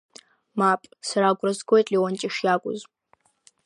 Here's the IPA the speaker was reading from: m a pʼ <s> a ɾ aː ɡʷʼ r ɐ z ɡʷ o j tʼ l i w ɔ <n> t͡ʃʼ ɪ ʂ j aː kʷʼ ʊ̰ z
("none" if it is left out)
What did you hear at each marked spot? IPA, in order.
s, n

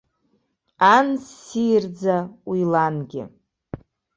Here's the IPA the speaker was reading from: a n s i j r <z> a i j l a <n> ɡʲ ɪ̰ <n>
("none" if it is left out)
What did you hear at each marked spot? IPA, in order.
d͡z, n, none

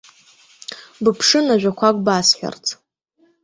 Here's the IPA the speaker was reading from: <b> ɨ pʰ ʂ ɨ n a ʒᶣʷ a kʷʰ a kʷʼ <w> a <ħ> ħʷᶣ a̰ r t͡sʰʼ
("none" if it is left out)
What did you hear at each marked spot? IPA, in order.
b, b, s

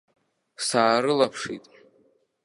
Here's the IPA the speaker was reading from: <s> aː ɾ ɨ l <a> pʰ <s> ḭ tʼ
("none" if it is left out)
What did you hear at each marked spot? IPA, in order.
s, a, ʂ

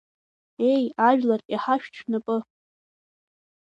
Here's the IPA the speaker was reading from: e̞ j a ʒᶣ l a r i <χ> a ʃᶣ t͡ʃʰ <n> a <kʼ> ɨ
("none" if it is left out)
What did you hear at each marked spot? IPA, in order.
ħ, n, pʼ

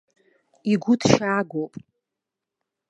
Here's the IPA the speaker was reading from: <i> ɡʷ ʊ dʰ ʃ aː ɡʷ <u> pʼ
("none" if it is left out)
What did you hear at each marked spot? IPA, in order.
i, o

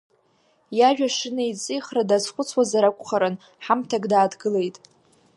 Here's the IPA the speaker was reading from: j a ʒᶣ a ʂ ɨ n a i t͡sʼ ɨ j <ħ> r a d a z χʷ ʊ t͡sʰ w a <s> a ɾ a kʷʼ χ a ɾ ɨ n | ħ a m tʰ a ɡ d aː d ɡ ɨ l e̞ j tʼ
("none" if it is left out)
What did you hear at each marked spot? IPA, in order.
χ, z

